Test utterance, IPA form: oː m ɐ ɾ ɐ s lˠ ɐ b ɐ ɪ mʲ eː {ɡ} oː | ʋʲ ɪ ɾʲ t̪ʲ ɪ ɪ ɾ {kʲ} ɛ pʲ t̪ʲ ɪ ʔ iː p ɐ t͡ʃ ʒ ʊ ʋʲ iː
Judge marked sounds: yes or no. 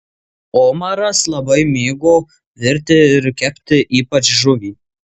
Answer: yes, yes

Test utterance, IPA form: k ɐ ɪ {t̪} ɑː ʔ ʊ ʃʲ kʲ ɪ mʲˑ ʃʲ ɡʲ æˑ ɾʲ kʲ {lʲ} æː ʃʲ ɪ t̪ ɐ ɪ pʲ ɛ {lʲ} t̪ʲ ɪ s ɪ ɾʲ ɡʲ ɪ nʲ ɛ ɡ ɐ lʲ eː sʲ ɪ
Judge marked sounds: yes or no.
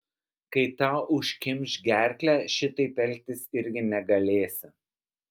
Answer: yes, yes, yes

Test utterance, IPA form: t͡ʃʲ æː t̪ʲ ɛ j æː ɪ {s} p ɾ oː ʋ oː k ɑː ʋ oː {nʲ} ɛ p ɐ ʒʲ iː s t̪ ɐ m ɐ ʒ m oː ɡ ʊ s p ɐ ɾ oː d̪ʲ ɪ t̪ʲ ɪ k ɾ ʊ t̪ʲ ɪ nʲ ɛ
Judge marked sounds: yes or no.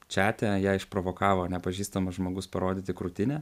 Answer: no, yes

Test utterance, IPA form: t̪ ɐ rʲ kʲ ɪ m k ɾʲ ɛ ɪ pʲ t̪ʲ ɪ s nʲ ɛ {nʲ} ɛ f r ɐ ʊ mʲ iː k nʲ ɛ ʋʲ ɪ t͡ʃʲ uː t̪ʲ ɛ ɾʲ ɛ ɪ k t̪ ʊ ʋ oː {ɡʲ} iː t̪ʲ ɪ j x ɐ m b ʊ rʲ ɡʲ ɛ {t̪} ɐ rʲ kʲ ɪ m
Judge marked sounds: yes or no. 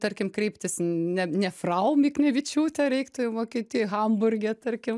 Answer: yes, no, yes

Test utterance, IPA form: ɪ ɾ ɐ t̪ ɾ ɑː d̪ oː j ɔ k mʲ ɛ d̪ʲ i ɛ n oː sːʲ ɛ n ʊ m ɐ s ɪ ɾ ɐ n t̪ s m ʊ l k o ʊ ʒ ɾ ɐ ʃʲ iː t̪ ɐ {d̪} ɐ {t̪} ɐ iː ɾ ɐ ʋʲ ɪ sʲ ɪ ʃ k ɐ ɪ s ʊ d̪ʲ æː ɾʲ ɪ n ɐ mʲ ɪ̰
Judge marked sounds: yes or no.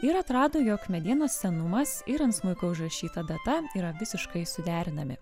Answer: yes, yes

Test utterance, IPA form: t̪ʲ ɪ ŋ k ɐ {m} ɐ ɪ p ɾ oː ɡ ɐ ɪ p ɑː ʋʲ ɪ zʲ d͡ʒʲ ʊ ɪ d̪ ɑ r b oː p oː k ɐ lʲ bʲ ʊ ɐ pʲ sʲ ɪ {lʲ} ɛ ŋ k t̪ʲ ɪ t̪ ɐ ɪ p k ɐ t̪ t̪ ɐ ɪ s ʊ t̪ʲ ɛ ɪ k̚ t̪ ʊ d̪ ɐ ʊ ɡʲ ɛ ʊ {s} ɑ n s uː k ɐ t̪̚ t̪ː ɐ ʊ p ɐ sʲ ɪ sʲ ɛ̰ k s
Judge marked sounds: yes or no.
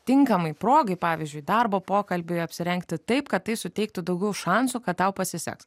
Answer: yes, no, no

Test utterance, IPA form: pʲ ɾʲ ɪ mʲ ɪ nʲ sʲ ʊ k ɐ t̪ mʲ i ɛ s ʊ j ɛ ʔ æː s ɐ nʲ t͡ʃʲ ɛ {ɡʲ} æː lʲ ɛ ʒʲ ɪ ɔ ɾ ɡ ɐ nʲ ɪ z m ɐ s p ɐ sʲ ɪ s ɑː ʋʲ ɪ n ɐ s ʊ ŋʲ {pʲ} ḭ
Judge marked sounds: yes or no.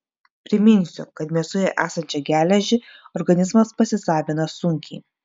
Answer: yes, no

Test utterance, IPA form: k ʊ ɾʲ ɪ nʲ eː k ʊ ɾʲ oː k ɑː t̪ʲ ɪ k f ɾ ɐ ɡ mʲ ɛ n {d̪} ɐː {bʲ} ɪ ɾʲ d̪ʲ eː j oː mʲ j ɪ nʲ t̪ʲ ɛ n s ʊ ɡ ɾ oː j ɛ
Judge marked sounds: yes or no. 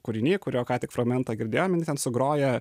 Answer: no, no

